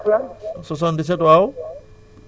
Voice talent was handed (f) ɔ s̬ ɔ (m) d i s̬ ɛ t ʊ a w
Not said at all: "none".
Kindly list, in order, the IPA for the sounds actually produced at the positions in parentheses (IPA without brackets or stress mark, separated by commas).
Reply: s, n